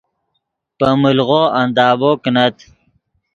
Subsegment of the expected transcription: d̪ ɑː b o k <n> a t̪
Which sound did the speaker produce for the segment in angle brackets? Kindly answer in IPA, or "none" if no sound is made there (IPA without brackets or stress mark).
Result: n